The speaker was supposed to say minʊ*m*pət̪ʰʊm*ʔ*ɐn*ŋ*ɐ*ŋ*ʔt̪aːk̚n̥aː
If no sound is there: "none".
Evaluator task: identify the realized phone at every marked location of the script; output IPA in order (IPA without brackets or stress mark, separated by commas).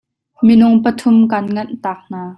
ŋ, k, ŋ, n